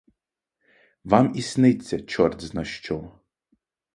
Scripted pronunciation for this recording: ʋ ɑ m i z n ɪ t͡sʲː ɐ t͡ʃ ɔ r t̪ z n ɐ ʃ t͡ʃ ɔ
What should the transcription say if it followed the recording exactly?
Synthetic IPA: ʋ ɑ m i s n ɪ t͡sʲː ɐ t͡ʃ ɔ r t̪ z n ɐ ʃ t͡ʃ ɔ